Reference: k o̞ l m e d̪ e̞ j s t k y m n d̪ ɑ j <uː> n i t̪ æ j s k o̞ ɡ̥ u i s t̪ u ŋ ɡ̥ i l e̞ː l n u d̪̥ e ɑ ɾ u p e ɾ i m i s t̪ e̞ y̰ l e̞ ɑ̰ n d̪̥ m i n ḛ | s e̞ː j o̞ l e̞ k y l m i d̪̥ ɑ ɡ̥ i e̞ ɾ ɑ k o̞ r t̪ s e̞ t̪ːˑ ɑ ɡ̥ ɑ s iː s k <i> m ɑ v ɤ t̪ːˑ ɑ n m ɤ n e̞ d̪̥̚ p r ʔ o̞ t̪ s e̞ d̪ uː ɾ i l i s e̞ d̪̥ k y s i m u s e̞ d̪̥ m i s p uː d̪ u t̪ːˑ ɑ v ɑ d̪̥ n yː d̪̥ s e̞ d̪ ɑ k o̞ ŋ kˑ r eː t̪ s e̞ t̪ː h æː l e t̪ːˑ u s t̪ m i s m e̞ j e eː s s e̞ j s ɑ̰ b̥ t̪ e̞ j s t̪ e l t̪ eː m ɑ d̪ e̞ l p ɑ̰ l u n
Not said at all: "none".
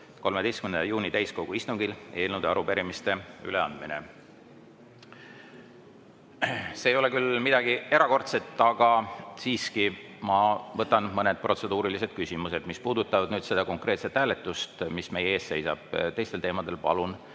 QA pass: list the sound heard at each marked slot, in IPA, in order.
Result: uː, i

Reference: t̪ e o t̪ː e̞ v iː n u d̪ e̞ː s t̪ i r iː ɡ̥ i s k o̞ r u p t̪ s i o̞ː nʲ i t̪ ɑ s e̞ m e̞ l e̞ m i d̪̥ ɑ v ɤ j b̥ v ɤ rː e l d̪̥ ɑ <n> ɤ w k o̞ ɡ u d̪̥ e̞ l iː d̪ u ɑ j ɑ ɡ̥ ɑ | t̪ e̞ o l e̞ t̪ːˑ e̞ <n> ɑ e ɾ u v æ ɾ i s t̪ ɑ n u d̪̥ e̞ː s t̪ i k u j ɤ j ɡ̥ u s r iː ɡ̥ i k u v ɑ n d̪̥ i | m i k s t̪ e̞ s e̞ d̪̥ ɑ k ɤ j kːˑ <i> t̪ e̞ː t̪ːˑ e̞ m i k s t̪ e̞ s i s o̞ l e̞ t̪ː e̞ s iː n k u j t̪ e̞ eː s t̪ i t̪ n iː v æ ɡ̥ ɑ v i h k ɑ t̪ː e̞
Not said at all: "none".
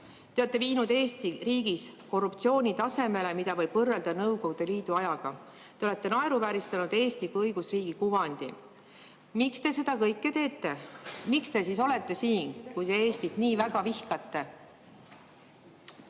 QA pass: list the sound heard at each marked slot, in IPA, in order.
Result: n, n, e

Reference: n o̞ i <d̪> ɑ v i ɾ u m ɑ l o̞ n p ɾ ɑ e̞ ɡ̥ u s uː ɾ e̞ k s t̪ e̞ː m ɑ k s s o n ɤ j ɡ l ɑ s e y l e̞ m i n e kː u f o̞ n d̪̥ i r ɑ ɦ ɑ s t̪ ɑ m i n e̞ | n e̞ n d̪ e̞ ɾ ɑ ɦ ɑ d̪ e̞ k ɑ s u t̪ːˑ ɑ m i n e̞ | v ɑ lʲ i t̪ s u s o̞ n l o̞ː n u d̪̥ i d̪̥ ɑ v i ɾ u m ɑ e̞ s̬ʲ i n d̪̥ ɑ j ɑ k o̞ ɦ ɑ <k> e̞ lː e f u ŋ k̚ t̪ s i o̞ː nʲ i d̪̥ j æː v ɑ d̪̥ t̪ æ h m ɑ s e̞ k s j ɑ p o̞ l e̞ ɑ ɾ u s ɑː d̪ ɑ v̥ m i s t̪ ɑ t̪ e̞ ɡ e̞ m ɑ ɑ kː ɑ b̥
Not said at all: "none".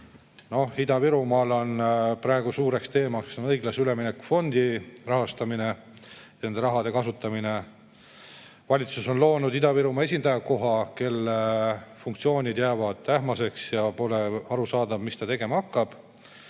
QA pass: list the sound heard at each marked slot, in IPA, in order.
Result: d̪, k

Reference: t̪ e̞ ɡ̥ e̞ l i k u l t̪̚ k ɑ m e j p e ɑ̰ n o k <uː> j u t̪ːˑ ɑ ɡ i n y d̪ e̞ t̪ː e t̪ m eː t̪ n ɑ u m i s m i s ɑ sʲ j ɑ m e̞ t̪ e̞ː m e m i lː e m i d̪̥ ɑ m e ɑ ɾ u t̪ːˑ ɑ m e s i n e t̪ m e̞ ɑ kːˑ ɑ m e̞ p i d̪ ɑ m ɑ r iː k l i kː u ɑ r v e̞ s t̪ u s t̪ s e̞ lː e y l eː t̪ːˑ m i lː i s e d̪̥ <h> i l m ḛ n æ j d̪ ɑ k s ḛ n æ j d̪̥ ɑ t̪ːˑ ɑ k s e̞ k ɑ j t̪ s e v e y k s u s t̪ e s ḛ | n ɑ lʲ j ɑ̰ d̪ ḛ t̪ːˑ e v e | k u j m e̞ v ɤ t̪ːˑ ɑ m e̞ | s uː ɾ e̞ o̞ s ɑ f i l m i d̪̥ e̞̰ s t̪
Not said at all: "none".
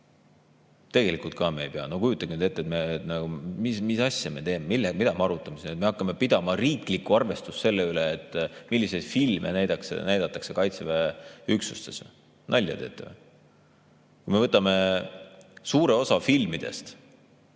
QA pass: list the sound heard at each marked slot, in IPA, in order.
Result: u, f

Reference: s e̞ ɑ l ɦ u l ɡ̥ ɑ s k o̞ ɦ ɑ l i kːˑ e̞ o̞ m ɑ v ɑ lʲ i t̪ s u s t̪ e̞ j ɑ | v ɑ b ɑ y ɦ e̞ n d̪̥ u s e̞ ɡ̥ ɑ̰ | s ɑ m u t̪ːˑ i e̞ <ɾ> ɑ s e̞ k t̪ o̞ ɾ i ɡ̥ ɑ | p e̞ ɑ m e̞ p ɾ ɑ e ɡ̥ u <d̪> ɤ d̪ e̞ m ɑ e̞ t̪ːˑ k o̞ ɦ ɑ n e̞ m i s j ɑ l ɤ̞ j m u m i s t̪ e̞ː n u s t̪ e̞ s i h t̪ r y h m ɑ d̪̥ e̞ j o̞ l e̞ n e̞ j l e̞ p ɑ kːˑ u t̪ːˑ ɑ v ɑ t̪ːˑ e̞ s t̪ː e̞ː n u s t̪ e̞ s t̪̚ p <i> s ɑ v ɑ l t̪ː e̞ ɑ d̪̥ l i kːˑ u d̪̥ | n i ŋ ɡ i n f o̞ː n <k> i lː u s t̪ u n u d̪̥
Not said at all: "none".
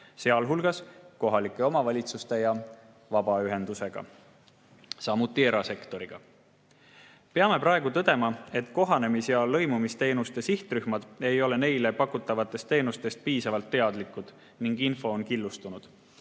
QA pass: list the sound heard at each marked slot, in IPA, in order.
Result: ɾ, t̪, iː, k

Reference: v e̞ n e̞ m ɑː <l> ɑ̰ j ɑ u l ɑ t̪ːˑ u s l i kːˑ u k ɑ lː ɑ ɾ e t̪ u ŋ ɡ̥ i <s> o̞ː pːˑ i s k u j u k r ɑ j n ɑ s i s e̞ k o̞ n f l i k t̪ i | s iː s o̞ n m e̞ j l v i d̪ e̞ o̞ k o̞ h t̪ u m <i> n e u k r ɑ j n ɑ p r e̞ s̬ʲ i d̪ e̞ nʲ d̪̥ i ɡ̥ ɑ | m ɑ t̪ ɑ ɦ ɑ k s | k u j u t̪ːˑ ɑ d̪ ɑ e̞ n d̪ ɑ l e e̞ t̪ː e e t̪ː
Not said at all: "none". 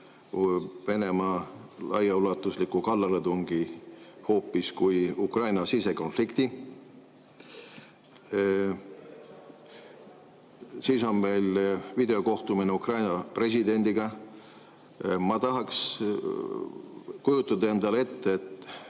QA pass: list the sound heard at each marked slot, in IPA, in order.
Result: l, h, i

